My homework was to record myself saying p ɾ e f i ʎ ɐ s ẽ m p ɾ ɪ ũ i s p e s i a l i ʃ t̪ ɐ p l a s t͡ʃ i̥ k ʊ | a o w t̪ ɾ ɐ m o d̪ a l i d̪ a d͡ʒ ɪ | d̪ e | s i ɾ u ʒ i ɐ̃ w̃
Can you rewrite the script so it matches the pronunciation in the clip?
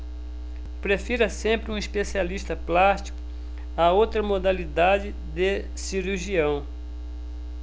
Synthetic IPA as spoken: p ɾ e f i ɾ ɐ s ẽ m p ɾ ɪ ũ i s p e s i a l i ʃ t̪ ɐ p l a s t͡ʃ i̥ k ʊ | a o w t̪ ɾ ɐ m o d̪ a l i d̪ a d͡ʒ ɪ | d̪ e | s i ɾ u ʒ i ɐ̃ w̃